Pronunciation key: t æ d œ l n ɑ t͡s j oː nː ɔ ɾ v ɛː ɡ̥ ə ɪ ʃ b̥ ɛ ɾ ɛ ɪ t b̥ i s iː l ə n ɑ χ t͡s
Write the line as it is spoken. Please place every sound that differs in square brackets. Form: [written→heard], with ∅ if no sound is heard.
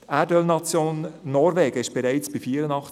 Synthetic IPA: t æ d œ l n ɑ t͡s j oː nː ɔ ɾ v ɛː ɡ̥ ə ɪ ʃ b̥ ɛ ɾ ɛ ɪ [t→t͡s] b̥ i [s→f] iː [l→ɾ] ə n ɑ χ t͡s